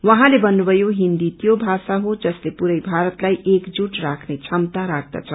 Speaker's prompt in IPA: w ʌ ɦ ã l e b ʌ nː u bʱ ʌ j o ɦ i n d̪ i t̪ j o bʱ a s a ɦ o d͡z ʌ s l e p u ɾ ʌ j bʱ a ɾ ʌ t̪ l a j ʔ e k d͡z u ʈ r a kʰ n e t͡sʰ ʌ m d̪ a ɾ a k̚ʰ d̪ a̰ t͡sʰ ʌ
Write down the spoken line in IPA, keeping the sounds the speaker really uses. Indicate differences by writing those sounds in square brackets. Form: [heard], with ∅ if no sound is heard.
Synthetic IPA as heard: w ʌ ɦ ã l e b ʌ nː u bʱ ʌ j o ɦ i n d̪ i t̪ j o bʱ a s a ɦ o d͡z ʌ s l e p u ɾ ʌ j bʱ a ɾ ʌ t̪ l a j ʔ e k d͡z u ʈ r a kʰ n e t͡sʰ ʌ m [t̪] a ɾ a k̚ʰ d̪ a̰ t͡sʰ ʌ